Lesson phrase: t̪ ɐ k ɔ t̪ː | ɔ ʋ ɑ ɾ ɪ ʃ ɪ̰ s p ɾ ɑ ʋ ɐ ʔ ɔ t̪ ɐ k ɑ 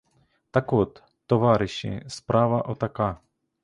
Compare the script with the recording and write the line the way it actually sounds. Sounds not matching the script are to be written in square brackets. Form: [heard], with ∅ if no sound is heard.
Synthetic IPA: t̪ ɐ k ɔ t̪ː | ɔ ʋ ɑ ɾ ɪ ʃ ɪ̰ s p ɾ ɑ ʋ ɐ ʔ ɔ t̪ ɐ k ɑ